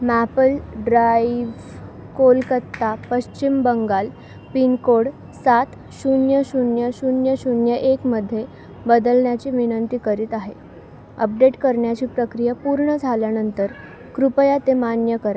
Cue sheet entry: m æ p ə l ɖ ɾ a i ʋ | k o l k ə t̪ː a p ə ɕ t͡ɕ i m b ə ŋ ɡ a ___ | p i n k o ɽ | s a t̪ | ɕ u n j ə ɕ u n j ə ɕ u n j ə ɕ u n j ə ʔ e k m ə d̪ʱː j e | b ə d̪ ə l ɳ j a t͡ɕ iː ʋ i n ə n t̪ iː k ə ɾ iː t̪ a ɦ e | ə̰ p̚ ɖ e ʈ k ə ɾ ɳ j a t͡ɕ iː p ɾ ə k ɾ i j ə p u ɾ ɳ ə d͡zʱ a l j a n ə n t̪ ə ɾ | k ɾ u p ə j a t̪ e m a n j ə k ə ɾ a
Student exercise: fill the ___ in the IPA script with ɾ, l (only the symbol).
l